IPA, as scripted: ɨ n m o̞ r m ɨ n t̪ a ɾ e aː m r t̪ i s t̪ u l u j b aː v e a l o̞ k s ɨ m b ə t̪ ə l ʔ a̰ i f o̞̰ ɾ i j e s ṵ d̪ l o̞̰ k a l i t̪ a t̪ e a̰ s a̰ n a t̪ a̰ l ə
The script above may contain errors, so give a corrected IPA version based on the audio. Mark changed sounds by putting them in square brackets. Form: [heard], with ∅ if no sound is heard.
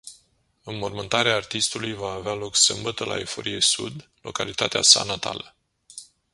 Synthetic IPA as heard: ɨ n m o̞ r m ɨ n t̪ a ɾ e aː [∅] r t̪ i s t̪ u l u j [v] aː v e a l o̞ k s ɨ m b ə t̪ ə l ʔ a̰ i f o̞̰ ɾ i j e s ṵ d̪ l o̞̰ k a l i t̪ a t̪ e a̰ s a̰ n a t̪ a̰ l ə

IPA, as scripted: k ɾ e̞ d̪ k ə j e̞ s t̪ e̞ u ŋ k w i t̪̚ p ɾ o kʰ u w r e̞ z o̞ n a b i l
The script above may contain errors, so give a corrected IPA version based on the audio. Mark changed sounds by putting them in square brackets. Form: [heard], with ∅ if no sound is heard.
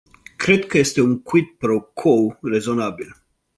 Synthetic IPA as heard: k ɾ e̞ d̪ k ə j e̞ s t̪ e̞ u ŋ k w i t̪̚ p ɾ o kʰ [o] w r e̞ z o̞ n a b i l

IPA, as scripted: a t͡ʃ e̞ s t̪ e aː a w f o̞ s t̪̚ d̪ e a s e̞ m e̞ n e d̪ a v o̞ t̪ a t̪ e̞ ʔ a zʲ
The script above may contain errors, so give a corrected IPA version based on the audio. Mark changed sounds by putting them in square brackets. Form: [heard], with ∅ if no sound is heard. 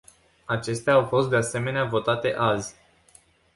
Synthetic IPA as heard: a t͡ʃ e̞ s t̪ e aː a w f o̞ s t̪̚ d̪ e a s e̞ m e̞ n e [∅] a v o̞ t̪ a t̪ e̞ ʔ a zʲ

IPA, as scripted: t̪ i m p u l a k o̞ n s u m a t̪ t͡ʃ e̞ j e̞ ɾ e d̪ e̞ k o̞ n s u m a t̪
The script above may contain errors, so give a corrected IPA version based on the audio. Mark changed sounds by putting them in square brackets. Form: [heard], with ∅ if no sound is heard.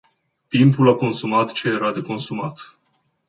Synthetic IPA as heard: t̪ i m p u l a k o̞ n s u m a t̪ t͡ʃ e̞ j e̞ ɾ [a] d̪ e̞ k o̞ n s u m a t̪

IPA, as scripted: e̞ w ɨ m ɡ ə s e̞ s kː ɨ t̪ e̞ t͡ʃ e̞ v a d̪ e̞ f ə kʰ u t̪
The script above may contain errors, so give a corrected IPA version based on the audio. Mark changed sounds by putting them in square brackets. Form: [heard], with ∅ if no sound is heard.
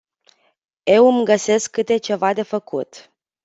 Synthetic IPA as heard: e̞ w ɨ m ɡ ə s e̞ s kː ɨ t̪ e̞ t͡ʃ e̞ v a d̪ e̞ f ə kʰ u t̪

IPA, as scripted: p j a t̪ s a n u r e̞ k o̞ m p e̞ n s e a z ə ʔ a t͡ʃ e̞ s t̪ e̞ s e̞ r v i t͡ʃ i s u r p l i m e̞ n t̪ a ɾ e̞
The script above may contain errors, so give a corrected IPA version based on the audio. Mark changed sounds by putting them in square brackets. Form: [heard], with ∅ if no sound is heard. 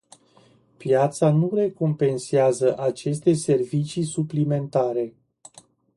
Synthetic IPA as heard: p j a t̪ s a n u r e̞ k o̞ m p e̞ n s e a z ə ʔ a t͡ʃ e̞ s t̪ e̞ s e̞ r v i t͡ʃ i s u [∅] p l i m e̞ n t̪ a ɾ e̞

